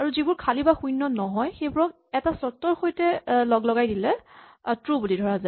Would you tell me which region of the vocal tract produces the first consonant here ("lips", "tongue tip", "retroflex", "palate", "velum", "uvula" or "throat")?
tongue tip